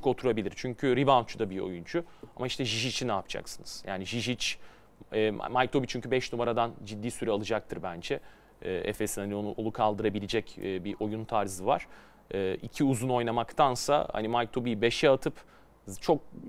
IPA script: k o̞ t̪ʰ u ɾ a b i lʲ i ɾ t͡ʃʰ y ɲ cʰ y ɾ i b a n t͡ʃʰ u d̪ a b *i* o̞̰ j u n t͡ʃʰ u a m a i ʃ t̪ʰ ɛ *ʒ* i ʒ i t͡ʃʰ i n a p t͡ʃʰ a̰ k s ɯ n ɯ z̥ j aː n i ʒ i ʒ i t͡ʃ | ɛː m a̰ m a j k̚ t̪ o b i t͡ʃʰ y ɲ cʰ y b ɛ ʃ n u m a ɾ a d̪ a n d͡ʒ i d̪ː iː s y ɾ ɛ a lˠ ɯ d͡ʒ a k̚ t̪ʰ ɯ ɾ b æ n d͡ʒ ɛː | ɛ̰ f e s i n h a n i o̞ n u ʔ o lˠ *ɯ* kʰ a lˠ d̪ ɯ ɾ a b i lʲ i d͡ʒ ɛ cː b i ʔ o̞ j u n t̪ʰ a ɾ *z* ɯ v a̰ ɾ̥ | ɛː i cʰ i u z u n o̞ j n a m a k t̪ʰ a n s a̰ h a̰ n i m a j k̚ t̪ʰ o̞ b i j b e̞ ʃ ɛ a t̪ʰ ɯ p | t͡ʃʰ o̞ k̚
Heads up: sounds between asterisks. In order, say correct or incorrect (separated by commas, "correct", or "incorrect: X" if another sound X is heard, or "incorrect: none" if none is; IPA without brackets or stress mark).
correct, correct, incorrect: u, correct